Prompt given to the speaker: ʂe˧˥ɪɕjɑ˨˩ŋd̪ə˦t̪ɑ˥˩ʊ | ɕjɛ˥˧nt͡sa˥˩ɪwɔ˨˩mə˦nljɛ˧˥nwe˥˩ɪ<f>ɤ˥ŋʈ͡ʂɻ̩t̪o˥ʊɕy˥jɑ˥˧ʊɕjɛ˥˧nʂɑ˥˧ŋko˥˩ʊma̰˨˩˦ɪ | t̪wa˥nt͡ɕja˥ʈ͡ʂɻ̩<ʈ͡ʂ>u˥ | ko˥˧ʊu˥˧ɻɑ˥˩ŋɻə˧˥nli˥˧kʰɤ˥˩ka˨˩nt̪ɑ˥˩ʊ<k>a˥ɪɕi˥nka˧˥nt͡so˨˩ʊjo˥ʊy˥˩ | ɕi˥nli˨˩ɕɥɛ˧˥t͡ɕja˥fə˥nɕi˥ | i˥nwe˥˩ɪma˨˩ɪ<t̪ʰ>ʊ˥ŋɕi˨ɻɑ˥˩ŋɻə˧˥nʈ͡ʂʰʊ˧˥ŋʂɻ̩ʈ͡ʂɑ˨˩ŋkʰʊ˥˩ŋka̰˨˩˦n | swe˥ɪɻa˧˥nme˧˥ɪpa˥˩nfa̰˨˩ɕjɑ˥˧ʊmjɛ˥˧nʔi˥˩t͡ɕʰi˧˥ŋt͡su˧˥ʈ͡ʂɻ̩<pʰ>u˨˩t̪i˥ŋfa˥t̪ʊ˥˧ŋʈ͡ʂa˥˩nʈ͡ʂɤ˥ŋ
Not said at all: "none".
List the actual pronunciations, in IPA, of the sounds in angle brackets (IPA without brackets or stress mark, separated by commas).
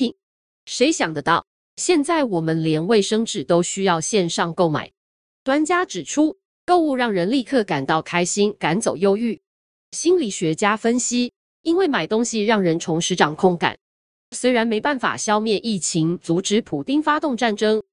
ʂ, ʈ͡ʂʰ, kʰ, t̪, pʰ